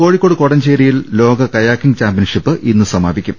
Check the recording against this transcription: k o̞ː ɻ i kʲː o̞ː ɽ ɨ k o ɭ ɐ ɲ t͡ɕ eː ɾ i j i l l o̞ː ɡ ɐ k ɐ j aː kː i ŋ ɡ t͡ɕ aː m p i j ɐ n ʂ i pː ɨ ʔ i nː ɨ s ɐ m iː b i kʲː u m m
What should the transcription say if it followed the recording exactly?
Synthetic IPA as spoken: k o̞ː ɻ i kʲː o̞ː ɽ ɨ k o ɽ ɐ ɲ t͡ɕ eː ɾ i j i l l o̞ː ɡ ɐ k ɐ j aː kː i ŋ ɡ t͡ɕ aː m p i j ɐ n ʂ i pː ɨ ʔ i nː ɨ s ɐ m aː b i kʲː u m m